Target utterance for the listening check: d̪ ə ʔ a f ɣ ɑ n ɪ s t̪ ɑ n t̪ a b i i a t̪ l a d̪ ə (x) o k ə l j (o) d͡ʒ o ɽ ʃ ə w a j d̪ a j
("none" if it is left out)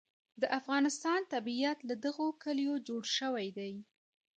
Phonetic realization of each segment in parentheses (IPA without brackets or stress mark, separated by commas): ɣ, o